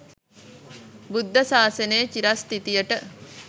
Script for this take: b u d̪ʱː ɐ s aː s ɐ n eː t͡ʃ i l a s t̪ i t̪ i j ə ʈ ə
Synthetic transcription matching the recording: b u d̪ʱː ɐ s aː s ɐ n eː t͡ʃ i ɾ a s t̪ i t̪ i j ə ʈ ə